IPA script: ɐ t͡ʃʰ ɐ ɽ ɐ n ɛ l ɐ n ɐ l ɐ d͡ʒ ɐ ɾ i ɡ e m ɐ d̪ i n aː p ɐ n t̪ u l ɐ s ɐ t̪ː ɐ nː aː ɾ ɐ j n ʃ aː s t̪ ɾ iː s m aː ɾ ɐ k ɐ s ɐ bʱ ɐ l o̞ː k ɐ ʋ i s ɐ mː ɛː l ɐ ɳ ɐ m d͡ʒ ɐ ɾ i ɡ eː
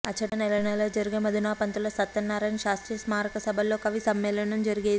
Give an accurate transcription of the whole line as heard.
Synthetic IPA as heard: ɐ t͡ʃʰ ɐ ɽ ɐ n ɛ l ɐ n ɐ l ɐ d͡ʒ ɐ ɾ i ɡ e m ɐ d̪ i n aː p ɐ n t̪ u l ɐ s ɐ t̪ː ɐ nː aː ɾ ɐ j n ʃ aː s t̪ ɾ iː s m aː ɾ ɐ k ɐ s ɐ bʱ ɐ l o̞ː k ɐ ʋ i s ɐ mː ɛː l ɐ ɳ ɐ m d͡ʒ ɐ ɾ i ɡ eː

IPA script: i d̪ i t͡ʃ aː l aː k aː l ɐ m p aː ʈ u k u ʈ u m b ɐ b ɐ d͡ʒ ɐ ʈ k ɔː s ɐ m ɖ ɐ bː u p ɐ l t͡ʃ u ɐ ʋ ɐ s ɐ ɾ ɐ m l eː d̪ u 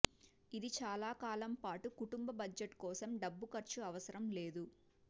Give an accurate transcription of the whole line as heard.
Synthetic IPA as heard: i d̪ i t͡ʃ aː l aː k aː l ɐ m p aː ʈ u k u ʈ u m b ɐ b ɐ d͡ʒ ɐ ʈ k ɔː s ɐ m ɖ ɐ bː u k ɐ ɾ t͡ʃ u ɐ ʋ ɐ s ɐ ɾ ɐ m l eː d̪ u

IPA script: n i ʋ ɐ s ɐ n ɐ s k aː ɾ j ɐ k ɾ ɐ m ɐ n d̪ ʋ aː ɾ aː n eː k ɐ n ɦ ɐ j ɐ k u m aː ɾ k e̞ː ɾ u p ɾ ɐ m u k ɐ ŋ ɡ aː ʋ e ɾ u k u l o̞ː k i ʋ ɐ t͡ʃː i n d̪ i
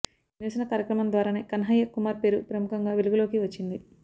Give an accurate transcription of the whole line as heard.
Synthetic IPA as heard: n i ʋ ɐ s ɐ n ɐ k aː ɾ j ɐ k ɾ ɐ m ɐ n d̪ ʋ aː ɾ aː n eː k ɐ n ɦ ɐ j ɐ k u m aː ɾ p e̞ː ɾ u p ɾ ɐ m u k ɐ ŋ ɡ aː ʋ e l u ɡ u l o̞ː k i ʋ ɐ t͡ʃː i n d̪ i

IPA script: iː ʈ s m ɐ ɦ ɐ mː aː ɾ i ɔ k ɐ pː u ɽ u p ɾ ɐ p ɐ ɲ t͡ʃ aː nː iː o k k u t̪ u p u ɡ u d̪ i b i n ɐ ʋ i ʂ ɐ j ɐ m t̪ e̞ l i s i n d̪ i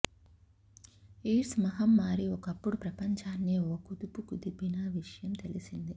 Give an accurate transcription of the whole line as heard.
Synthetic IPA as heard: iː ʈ s m ɐ ɦ ɐ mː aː ɾ i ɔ k ɐ pː u ɽ u p ɾ ɐ p ɐ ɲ t͡ʃ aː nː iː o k k u d̪ u p u k u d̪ i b i n ɐ ʋ i ʂ ɐ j ɐ m t̪ e̞ l i s i n d̪ i

